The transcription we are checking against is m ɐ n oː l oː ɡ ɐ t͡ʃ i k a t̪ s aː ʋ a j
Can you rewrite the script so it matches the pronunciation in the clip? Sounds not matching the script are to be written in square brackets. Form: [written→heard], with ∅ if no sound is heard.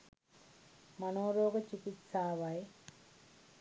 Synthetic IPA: m ɐ n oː [l→ɾ] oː ɡ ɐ t͡ʃ i k [a→i] t̪ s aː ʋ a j